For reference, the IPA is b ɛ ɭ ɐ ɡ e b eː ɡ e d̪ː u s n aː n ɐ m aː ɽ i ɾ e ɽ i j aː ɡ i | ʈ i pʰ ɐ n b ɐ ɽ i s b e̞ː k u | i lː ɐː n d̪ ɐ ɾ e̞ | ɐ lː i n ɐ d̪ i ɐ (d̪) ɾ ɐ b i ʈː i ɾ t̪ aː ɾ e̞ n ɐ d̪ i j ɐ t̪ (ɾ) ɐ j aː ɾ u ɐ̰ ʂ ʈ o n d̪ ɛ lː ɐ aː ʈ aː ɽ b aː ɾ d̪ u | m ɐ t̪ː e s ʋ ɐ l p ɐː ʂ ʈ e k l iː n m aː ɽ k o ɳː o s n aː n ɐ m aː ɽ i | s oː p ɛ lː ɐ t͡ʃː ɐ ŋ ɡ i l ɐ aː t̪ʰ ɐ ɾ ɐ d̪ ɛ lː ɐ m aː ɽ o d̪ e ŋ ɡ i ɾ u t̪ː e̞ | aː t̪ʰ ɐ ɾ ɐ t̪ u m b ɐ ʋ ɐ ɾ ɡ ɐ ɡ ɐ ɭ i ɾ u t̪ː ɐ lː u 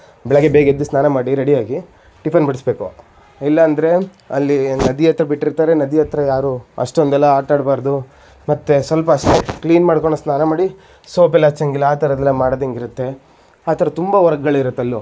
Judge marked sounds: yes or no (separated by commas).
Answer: no, yes